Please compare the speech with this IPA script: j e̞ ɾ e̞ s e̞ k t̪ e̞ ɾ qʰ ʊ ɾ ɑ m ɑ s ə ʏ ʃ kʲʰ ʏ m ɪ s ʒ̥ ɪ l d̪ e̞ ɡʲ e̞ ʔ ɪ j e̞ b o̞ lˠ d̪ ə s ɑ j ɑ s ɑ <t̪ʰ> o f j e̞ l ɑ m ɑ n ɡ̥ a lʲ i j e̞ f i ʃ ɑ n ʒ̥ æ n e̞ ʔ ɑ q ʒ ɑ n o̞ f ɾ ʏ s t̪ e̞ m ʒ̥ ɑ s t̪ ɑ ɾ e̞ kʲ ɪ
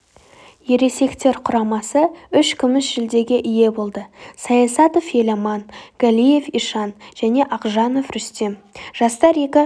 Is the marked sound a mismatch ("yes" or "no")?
yes